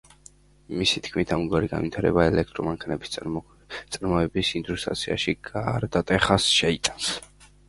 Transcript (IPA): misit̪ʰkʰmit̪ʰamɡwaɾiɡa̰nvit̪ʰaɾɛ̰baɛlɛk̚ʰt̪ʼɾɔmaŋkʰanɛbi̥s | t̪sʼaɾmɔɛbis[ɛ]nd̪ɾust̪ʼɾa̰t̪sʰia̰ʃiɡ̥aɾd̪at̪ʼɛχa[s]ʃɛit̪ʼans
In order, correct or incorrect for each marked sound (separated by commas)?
incorrect, correct